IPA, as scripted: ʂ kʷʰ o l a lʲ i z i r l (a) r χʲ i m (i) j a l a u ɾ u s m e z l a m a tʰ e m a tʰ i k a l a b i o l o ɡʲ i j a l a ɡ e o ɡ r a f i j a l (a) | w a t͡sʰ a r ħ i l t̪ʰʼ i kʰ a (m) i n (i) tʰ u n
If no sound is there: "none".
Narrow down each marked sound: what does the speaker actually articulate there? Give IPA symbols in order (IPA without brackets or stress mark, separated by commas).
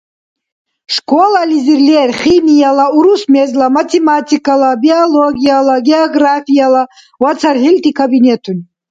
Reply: e, i, a, b, e